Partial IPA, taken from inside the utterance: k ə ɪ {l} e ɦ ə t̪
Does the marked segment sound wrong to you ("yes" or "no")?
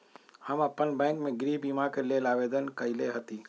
no